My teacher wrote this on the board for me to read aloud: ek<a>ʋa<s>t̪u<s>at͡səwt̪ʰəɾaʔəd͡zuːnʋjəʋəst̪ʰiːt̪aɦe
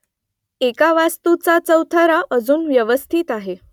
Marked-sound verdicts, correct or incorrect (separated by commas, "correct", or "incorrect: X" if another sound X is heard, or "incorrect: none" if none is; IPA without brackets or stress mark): correct, correct, incorrect: t͡s